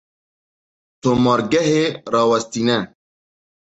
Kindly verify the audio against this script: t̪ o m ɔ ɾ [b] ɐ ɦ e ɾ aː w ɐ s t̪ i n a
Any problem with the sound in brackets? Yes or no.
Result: yes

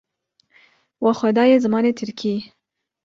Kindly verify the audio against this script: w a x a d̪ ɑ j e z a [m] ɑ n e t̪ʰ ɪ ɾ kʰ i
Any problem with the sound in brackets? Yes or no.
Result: no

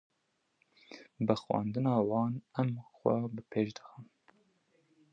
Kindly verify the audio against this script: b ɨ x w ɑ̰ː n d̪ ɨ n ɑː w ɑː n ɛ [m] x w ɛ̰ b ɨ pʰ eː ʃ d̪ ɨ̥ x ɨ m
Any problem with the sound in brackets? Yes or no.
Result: no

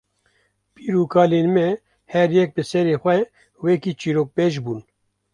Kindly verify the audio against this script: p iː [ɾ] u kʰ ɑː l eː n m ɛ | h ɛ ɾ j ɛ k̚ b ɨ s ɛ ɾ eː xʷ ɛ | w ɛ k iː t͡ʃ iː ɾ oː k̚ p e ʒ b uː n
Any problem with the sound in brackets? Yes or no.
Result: no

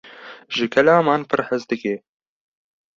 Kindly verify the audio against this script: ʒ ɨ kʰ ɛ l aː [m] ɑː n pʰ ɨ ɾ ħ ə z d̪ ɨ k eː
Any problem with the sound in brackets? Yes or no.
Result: no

